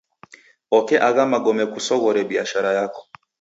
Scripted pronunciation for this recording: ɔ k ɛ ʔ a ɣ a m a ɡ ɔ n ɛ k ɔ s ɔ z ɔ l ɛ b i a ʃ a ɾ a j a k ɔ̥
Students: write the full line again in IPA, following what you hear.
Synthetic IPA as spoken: ɔ k ɛ ʔ a ɣ a m a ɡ ɔ m ɛ k u s ɔ ɣ ɔ ɾ ɛ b i a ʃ a ɾ a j a k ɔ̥

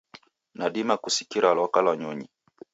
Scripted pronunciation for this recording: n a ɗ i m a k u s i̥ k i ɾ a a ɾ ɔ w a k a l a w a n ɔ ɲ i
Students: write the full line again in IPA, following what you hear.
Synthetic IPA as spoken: n a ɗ i m a k u s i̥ k i ɾ a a l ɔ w a k a l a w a ɲ ɔ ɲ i

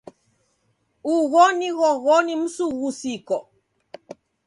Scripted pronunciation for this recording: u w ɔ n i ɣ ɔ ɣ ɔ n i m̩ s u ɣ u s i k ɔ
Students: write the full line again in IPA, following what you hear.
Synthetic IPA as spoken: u ɣ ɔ n i ɣ ɔ ɣ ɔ n i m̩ s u ɣ u s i k ɔ

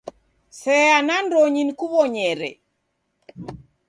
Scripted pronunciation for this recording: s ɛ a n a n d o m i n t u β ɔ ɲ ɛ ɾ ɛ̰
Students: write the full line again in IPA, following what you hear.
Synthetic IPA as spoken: s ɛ a n a n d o ɲ i n k u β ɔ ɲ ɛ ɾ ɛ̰

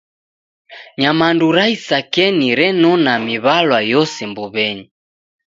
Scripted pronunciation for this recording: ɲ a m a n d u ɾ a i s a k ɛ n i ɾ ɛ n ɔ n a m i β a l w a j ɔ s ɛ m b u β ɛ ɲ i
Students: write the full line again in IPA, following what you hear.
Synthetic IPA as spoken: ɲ a m a n d u ɾ a i s a k ɛ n i ɾ ɛ n ɔ n a m i β a l w a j ɔ s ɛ m b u β ɛ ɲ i

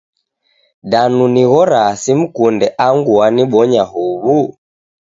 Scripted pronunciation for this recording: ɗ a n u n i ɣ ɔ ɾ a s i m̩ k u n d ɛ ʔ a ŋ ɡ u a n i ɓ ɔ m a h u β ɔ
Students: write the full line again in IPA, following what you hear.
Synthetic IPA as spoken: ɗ a n u n i ɣ ɔ ɾ a s i m̩ k u n d ɛ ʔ a ŋ ɡ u a n i ɓ ɔ ɲ a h u β u

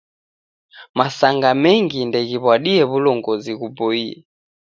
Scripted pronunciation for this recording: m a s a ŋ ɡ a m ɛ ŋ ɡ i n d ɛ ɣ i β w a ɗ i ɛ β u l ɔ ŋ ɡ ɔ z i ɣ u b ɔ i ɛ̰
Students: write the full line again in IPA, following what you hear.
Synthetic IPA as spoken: m a s a ŋ ɡ a m ɛ ŋ ɡ i n d ɛ ɣ i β w a ɗ i ɛ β u l ɔ ŋ ɡ ɔ z i ɣ u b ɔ i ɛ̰

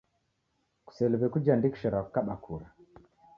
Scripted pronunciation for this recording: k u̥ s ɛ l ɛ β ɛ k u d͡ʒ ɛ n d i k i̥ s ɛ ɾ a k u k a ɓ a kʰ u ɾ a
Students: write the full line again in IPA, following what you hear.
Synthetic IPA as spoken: k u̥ s ɛ l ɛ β ɛ k u d͡ʒ a n d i k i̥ ʃ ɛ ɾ a k u k a ɓ a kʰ u ɾ a

